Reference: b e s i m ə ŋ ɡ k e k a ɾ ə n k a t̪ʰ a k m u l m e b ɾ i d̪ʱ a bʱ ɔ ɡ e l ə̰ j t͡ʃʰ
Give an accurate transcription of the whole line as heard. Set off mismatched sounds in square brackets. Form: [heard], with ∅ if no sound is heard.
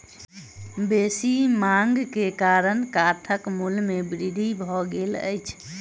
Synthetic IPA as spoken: b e s i m [a] ŋ ɡ k e k a ɾ ə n k a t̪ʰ [ə] k m u l m e b ɾ i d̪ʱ [i] bʱ ɔ ɡ e l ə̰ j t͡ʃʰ

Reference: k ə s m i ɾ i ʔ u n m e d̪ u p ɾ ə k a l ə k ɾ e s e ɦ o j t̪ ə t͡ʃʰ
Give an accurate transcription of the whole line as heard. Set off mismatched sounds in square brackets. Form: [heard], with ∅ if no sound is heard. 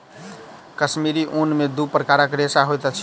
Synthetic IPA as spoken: k ə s m i ɾ i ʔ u n m e d̪ u p ɾ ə k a [ɾ] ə k ɾ e s [a] ɦ o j t̪ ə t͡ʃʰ

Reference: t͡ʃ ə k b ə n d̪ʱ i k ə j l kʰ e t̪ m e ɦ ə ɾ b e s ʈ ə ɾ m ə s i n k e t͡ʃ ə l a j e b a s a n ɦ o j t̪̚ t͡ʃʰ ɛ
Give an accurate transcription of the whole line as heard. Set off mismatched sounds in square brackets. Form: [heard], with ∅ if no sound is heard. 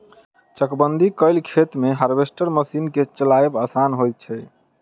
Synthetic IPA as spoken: t͡ʃ ə k b ə n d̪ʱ i k ə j l kʰ e t̪ m e ɦ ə ɾ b e s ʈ ə ɾ m ə s i n k e t͡ʃ ə l a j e b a s a n ɦ o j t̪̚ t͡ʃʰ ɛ

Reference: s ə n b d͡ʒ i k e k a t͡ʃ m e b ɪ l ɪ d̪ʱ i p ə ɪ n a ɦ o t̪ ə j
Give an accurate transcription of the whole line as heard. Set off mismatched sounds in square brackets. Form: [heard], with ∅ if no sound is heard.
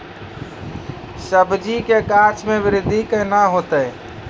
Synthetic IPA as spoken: s ə [∅] b d͡ʒ i k e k a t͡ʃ m e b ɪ [ɾ] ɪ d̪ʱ i [k] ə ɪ n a ɦ o t̪ ə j

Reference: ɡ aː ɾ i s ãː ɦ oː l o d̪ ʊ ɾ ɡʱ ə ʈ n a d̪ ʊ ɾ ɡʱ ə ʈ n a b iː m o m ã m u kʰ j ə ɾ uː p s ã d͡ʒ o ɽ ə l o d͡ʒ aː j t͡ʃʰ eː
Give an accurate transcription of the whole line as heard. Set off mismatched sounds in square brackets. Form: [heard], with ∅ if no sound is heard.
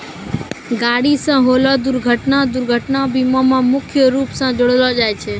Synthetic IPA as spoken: ɡ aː [ɽ] i s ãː ɦ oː l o d̪ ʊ ɾ ɡʱ ə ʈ n a d̪ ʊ ɾ ɡʱ ə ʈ n a b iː m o m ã m [ʊ] kʰ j ə ɾ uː p s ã d͡ʒ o ɽ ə l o d͡ʒ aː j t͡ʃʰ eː

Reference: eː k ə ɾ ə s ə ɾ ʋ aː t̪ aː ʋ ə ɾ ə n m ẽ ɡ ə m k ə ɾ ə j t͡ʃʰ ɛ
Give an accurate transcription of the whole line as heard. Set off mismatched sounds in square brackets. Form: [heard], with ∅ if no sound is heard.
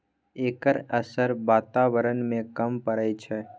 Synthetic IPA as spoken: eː k ə ɾ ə s ə ɾ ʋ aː t̪ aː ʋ ə ɾ ə n m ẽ [k] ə m [p] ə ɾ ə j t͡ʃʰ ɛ

